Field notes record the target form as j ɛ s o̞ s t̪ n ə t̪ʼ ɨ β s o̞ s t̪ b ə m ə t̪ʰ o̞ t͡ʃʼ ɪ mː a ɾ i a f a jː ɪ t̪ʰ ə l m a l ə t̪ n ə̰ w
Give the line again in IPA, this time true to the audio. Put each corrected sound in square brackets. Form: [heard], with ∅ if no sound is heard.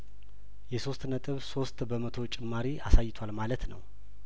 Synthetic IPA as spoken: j ɛ s o̞ s t̪ n ə t̪ʼ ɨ β s o̞ s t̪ b ə m ə t̪ʰ o̞ t͡ʃʼ ɪ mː a ɾ i a [s] a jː ɪ t̪ʰ [a] l m a l ə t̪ n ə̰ w

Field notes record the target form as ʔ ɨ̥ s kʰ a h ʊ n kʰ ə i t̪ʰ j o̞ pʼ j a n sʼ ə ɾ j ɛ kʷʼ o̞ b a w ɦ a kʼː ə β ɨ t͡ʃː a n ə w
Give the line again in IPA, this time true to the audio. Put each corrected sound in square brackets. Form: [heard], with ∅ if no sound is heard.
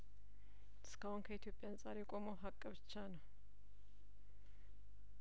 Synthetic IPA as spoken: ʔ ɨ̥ s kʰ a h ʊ n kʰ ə i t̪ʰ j o̞ pʼ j a n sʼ [a] ɾ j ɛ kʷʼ o̞ [m] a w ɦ a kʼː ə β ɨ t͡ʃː a n ə w

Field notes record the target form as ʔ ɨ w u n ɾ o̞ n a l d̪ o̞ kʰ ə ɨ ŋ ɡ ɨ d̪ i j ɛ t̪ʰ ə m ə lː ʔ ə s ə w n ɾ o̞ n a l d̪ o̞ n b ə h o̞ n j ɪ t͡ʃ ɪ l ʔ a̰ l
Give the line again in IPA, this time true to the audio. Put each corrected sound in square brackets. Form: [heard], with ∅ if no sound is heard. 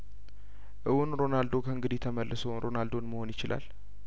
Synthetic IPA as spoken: ʔ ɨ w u n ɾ o̞ n a l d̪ o̞ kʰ ə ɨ ŋ ɡ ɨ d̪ i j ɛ t̪ʰ ə m ə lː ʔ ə s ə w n ɾ o̞ n a l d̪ o̞ n [m] ə h o̞ n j ɪ t͡ʃ ɪ l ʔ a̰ l

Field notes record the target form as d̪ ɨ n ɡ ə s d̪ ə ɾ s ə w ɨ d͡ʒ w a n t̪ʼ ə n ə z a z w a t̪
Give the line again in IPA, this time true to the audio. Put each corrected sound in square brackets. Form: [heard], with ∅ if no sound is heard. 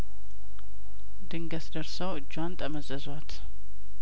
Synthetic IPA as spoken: d̪ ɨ [ŋ] ɡ ə s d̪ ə ɾ s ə w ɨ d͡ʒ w a n t̪ʼ ə [m] ə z [ə] z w a t̪

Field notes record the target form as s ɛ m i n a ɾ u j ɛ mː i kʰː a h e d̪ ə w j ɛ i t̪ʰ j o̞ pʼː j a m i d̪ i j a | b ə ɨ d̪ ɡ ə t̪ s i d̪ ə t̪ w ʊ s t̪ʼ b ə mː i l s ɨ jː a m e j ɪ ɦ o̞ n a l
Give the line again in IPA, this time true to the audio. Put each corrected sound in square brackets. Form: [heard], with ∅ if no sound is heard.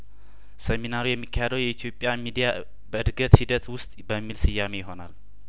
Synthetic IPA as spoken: s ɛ m i n a ɾ u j ɛ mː i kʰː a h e d̪ ə w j ɛ i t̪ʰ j o̞ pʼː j a m i d̪ i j a | b ə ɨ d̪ ɡ ə t̪ [h] i d̪ ə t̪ w ʊ s t̪ʼ b ə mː i l s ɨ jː a m e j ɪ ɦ o̞ n a l

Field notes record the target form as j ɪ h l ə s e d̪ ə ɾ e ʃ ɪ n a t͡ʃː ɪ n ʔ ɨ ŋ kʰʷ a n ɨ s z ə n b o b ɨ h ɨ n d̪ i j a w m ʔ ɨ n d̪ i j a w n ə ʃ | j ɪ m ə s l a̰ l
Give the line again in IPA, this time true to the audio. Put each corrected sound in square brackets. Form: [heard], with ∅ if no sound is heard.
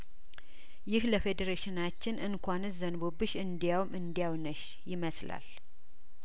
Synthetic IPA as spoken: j ɪ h l ə [f] e d̪ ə ɾ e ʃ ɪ n a t͡ʃː ɪ n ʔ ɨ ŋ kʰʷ a n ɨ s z ə n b o b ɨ [ʃ] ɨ n d̪ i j a w m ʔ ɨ n d̪ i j a w n ə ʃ | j ɪ m ə s l a̰ l

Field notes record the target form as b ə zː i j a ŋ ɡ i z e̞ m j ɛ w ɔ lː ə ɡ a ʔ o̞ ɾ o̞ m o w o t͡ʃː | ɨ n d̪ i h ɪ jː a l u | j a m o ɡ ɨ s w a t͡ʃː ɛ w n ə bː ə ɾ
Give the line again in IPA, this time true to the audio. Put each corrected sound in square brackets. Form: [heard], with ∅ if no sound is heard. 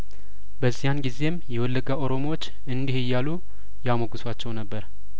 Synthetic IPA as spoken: b ə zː i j a [n] ɡ i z e̞ m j ɛ w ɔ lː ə ɡ a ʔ o̞ ɾ o̞ m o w o t͡ʃː | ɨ n d̪ i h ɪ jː a l u | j a m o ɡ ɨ s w a t͡ʃː ɛ w n ə bː ə ɾ

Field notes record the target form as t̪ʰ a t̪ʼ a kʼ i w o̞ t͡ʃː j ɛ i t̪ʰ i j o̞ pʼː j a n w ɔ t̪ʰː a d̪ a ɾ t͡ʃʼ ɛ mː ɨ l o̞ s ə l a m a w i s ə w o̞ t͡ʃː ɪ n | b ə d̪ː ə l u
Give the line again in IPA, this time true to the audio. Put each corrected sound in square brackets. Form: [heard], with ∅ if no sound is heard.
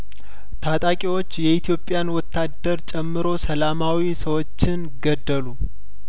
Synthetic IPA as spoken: t̪ʰ a t̪ʼ a kʼ i w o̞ t͡ʃː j ɛ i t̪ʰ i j o̞ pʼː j a n w ɔ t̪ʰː a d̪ [ə] ɾ t͡ʃʼ ɛ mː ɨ [ɾ] o̞ s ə l a m a w i s ə w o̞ t͡ʃː ɪ n | [ɡ] ə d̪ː ə l u

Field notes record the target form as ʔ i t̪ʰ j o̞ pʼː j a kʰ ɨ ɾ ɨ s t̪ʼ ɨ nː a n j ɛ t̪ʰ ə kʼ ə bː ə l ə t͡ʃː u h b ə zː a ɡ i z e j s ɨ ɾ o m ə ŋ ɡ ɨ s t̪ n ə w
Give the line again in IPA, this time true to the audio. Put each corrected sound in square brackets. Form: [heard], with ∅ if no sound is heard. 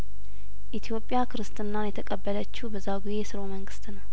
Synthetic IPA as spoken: ʔ i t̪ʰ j o̞ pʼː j a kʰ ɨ ɾ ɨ s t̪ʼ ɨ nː a n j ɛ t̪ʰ ə kʼ ə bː ə l ə t͡ʃː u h b ə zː a ɡ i z e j s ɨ ɾ o m ə ŋ ɡ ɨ s t̪ n ə w

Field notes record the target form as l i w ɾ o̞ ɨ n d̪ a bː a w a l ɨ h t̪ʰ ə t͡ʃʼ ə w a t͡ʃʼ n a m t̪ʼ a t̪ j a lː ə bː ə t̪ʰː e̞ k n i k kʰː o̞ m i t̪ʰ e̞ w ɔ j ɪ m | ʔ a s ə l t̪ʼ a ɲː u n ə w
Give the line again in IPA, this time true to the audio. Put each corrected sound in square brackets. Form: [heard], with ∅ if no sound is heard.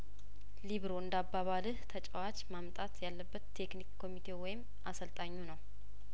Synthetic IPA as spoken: l i [β] ɾ o̞ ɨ n d̪ a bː a [β] a l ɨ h t̪ʰ ə t͡ʃʼ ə w a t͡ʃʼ [m] a m t̪ʼ a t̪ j a lː ə bː ə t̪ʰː e̞ k n i k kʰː o̞ m i t̪ʰ e̞ w ɔ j ɪ m | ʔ a s ə l t̪ʼ a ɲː u n ə w

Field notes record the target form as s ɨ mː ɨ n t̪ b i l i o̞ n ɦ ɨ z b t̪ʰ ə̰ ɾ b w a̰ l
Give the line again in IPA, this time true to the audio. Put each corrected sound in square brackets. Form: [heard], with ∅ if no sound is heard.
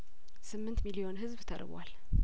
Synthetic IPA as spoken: s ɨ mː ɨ n t̪ [m] i l i o̞ n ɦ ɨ z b t̪ʰ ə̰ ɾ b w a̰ l

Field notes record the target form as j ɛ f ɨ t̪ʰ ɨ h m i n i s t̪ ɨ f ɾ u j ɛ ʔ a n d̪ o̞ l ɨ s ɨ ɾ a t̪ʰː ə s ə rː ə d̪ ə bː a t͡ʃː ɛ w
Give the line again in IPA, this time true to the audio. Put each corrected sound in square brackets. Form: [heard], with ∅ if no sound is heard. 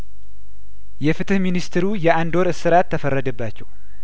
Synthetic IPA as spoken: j ɛ f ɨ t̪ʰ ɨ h m i n i s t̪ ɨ [∅] ɾ u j ɛ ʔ a n d̪ o̞ [ɾ] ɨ s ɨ ɾ a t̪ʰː ə [f] ə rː ə d̪ ə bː a t͡ʃː ɛ w

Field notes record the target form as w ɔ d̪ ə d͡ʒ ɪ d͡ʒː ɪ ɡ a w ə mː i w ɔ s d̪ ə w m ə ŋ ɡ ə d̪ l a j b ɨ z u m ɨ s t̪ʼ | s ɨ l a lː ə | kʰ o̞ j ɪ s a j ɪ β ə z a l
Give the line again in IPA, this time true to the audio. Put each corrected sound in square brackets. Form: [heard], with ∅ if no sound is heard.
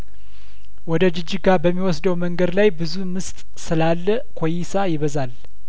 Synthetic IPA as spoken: w ɔ d̪ ə d͡ʒ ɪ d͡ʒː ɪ ɡ a [b] ə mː i w ɔ s d̪ ə w m ə ŋ ɡ ə d̪ l a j b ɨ z u m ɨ s t̪ʼ | s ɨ l a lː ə | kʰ o̞ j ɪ s a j ɪ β ə z a l

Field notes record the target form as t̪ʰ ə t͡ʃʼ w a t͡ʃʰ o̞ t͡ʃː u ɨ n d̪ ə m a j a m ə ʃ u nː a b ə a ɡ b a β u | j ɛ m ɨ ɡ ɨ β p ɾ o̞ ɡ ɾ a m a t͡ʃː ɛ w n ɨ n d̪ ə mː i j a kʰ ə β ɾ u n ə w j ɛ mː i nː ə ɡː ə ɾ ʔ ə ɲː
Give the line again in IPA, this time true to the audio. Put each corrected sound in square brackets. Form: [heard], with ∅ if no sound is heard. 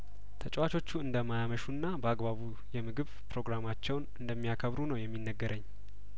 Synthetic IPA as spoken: t̪ʰ ə t͡ʃʼ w a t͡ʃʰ o̞ t͡ʃː u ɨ n d̪ ə m a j a m ə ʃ u nː a b ə a ɡ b a β u | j ɛ m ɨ ɡ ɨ β p ɾ o̞ ɡ ɾ a m a t͡ʃː ɛ w n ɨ n d̪ ə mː i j a kʰ ə β ɾ u n ə w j ɛ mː i nː ə ɡː ə ɾ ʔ ə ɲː

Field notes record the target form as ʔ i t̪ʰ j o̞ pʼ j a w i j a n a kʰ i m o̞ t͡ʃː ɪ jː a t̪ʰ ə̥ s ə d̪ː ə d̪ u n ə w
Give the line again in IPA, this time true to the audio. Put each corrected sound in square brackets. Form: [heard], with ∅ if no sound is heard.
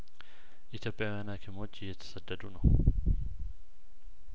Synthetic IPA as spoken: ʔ i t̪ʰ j o̞ pʼ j a w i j a n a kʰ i m o̞ t͡ʃː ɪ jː [ɛ] t̪ʰ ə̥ s ə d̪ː ə d̪ u n ə w

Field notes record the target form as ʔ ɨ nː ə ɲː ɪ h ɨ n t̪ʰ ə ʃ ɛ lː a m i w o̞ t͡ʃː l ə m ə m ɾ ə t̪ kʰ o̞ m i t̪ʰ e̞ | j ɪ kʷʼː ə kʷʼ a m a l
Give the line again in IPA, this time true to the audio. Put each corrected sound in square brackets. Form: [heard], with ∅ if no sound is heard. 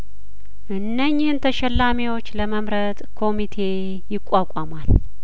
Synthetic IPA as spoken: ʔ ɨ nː ə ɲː ɪ h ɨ n t̪ʰ ə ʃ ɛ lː a m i w o̞ t͡ʃː l ə m ə m ɾ ə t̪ kʰ o̞ m i t̪ʰ e̞ | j ɪ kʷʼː [a] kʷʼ a m a l

